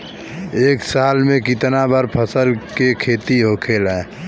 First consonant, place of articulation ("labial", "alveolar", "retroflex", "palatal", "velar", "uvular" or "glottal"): velar